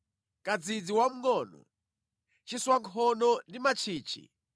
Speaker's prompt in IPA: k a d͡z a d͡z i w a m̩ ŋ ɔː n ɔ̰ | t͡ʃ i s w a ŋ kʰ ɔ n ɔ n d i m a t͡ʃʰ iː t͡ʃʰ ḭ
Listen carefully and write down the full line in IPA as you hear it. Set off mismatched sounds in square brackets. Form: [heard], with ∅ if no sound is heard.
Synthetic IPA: k a d͡z [i] d͡z i w a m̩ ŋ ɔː n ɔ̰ | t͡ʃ i s w a ŋ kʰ ɔ n ɔ n d i m a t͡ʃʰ iː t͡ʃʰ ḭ